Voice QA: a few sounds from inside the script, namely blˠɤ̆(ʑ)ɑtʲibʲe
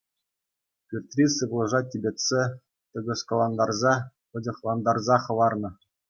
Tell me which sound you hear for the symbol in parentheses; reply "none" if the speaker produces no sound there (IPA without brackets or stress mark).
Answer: ʐ